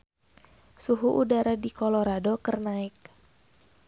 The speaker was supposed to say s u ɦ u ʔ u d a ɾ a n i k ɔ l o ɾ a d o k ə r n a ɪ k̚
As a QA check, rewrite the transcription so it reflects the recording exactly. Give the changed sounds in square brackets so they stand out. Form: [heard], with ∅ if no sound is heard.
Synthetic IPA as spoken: s u ɦ u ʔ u d a ɾ a [d] i k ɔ l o ɾ a d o k ə r n a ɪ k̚